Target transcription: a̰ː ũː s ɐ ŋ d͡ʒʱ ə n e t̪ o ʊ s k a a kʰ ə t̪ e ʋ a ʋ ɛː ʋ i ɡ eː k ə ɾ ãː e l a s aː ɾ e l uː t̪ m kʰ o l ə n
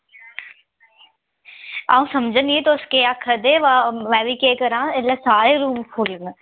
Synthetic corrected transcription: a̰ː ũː s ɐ m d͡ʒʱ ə n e t̪ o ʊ s k e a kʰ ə d̪ e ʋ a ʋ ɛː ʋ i k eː k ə ɾ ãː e l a s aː ɾ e ɾ uː m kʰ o l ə n